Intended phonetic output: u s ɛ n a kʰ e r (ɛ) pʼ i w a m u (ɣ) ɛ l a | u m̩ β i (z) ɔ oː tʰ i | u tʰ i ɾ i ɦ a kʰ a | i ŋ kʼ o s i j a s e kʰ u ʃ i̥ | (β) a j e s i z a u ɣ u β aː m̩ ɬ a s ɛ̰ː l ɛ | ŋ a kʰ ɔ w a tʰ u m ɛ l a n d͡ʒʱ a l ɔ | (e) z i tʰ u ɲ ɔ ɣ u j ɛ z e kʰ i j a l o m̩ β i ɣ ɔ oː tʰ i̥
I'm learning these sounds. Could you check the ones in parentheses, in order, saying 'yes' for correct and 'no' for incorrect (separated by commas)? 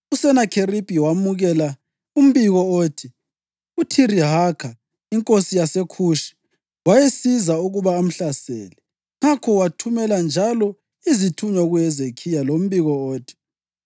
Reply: no, yes, no, no, no